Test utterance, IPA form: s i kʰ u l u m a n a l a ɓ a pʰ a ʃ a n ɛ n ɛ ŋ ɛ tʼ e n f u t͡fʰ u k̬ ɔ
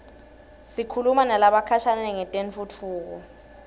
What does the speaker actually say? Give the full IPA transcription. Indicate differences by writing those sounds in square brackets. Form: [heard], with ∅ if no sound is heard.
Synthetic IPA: s i kʰ u l u m a n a l a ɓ a [kʰ] a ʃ a n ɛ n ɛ ŋ ɛ tʼ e n f u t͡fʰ [uː] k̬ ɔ